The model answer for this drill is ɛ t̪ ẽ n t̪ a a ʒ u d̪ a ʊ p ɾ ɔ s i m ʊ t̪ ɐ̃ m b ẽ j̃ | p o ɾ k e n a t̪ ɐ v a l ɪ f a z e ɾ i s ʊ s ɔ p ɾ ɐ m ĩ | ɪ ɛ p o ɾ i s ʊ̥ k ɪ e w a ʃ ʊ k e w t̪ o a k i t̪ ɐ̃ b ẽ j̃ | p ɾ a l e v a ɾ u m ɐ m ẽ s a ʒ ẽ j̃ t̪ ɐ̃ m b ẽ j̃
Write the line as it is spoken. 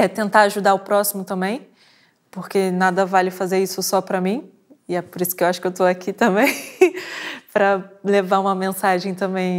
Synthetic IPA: ɛ t̪ ẽ n t̪ a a ʒ u d̪ a ʊ p ɾ ɔ s i m ʊ t̪ ɐ̃ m b ẽ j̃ | p o ɾ k e n a d̪ ɐ v a l ɪ f a z e ɾ i s ʊ s ɔ p ɾ ɐ m ĩ | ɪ ɛ p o ɾ i s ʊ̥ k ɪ e w a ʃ ʊ k e w t̪ o a k i t̪ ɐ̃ b ẽ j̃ | p ɾ ɐ l e v a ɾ ũ m ɐ m ẽ s a ʒ ẽ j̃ t̪ ɐ̃ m b ẽ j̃